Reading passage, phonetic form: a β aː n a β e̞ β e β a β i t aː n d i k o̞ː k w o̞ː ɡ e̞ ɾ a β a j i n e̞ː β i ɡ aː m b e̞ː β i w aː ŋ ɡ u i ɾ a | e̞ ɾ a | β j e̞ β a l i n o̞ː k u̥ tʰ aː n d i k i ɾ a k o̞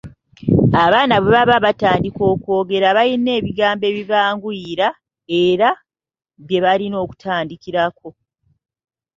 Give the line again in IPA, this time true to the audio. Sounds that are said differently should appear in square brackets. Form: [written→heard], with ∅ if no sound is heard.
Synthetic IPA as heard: a β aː n a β e̞ β [e→a] β a β [i→a] t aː n d i k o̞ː k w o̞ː ɡ e̞ ɾ a β a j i n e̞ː β i ɡ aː m b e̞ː β i [w→β] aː ŋ ɡ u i ɾ a | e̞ ɾ a | β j e̞ β a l i n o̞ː k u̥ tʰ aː n d i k i ɾ a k o̞